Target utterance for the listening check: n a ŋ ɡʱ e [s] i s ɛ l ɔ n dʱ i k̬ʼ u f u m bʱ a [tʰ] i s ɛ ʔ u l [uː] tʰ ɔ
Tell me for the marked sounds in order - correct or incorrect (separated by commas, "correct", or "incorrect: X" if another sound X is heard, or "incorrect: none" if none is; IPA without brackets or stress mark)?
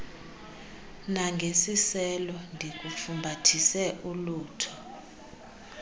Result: correct, correct, correct